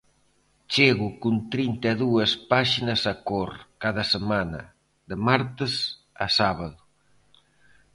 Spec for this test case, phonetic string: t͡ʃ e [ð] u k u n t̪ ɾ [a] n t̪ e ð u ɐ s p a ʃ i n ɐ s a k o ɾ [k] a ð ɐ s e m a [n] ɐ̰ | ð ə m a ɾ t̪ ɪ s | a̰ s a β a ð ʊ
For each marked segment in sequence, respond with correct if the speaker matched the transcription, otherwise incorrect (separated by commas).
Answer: incorrect, incorrect, correct, correct